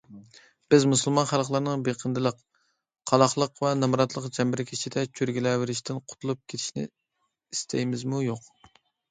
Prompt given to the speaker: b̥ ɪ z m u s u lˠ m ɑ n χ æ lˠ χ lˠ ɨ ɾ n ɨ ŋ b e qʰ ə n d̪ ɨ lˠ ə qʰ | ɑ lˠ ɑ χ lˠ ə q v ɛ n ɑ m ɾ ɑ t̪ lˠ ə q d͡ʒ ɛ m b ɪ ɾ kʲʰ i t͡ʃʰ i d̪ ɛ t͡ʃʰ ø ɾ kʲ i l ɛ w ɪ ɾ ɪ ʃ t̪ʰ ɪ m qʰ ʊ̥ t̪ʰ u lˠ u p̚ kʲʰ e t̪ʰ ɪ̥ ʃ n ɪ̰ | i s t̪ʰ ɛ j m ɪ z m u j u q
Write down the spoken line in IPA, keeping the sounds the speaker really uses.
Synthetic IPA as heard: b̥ ɪ z m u s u lˠ m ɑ n χ æ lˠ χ lˠ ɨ ɾ n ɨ ŋ b e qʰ ə n d̪ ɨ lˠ ə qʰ | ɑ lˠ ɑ χ lˠ ə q v ɛ n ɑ m ɾ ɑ t̪ lˠ ə q d͡ʒ ɛ m b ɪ ɾ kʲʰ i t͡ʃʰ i d̪ ɛ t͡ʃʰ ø ɾ ɡʲ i l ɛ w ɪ ɾ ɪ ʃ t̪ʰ ɪ n qʰ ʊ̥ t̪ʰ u lˠ u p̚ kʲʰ e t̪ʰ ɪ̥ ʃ n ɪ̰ | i s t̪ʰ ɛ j m ɪ z m u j o q